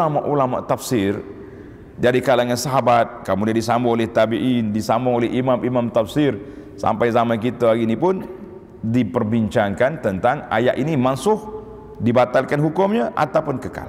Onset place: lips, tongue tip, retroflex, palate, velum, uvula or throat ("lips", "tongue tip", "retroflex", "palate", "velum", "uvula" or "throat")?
lips